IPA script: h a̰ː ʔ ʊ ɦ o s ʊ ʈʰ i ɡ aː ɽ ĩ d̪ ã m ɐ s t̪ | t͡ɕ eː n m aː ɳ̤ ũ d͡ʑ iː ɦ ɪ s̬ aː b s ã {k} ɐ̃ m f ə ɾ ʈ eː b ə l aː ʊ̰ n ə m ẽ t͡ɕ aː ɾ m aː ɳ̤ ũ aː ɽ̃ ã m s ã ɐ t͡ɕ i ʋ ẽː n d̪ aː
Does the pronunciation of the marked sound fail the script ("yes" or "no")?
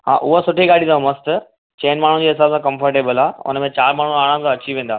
no